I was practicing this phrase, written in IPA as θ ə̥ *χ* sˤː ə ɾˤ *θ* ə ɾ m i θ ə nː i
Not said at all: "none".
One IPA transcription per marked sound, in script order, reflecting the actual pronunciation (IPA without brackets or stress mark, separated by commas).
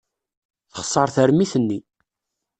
χ, θ